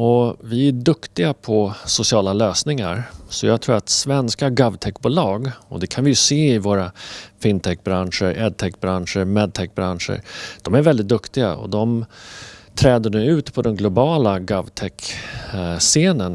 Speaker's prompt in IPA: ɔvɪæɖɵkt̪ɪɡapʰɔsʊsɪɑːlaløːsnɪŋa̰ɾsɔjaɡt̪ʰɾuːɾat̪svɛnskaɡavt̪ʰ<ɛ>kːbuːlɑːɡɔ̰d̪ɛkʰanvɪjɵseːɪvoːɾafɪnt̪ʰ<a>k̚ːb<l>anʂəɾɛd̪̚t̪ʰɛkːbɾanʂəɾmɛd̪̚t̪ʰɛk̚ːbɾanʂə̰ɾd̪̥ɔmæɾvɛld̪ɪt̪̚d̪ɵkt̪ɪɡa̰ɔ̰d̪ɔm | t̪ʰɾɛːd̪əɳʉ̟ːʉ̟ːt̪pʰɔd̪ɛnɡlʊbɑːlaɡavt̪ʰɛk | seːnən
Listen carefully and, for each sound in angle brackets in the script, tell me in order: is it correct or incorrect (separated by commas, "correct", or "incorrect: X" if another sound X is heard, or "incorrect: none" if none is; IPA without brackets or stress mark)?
correct, incorrect: ɛ, incorrect: ɾ